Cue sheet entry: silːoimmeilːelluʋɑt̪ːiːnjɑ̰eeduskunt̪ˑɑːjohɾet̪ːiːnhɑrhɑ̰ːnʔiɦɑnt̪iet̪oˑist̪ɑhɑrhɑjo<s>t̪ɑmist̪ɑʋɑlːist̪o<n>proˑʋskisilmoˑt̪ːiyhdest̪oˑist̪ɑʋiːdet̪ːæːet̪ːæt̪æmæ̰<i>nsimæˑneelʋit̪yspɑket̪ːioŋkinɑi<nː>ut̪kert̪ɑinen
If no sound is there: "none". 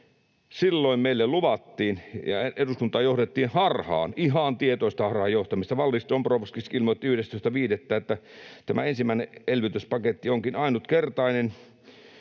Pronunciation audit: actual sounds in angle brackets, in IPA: h, m, e, n

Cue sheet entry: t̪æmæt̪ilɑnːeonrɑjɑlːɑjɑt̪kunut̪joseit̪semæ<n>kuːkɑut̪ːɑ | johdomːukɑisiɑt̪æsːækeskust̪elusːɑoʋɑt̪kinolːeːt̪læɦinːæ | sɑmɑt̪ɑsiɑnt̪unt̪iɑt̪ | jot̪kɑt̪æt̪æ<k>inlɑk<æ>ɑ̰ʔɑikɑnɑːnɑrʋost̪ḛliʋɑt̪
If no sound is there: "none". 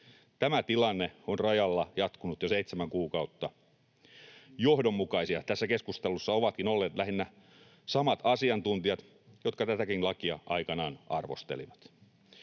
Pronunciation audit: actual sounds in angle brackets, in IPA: ŋ, k, i

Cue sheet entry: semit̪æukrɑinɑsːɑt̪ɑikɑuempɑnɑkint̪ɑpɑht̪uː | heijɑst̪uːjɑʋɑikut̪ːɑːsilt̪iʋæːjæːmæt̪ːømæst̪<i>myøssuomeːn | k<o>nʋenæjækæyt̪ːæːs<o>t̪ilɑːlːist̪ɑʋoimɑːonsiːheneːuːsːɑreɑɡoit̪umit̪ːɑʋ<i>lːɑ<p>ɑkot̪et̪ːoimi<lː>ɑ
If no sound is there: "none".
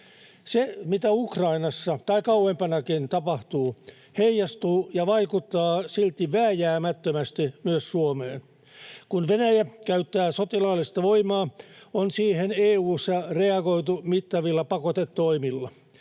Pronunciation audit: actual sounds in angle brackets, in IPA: i, u, o, i, p, lː

